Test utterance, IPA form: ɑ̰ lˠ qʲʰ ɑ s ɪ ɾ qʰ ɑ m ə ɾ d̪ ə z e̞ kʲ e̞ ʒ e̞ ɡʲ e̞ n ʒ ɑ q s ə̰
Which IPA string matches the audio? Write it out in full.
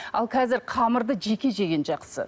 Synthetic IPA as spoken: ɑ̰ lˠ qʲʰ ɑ z ɪ ɾ qʰ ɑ m ə ɾ d̪ ə ʒ e̞ kʲ e̞ ʒ e̞ ɡʲ e̞ n ʒ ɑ q s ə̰